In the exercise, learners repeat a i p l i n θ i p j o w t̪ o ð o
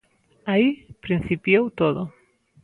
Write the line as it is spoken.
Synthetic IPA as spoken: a i p ɾ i n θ i p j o w t̪ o ð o